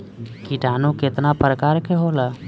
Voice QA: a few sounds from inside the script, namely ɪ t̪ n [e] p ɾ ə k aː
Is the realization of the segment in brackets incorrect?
yes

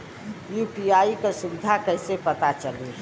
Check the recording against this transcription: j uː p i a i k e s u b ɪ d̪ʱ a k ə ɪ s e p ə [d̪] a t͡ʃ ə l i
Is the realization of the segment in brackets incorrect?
yes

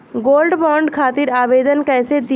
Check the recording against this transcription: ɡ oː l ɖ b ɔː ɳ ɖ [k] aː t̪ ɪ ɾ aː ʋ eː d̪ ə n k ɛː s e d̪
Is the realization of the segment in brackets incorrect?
yes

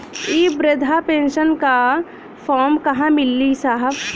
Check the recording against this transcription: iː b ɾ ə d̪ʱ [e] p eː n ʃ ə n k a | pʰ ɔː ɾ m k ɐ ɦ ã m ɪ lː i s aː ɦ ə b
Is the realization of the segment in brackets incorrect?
yes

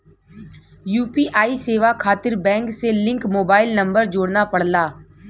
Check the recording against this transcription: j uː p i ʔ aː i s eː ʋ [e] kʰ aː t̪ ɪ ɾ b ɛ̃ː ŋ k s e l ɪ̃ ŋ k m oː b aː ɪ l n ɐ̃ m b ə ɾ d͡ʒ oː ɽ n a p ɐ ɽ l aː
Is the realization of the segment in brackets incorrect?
yes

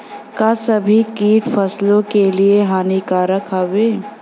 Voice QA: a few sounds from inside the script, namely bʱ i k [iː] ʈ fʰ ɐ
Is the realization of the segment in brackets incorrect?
no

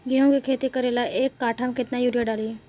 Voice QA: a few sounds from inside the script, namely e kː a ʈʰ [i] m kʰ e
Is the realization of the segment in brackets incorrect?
yes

